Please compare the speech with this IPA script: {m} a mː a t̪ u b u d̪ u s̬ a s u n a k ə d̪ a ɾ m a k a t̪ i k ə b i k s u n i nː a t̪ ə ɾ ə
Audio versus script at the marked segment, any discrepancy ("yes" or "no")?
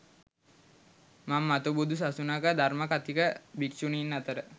no